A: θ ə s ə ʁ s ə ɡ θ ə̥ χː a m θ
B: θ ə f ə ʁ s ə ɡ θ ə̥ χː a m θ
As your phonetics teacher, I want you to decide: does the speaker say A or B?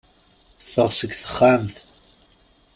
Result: B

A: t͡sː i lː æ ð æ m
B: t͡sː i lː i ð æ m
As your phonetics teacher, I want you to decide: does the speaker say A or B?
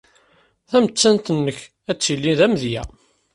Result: B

